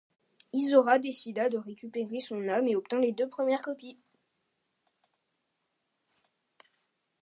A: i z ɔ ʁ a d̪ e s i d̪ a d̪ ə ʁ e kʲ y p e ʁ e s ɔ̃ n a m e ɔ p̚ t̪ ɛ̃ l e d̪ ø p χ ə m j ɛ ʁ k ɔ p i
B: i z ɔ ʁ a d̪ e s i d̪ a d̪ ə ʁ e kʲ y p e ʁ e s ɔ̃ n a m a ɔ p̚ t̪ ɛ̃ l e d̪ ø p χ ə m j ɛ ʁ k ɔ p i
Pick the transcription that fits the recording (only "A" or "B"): A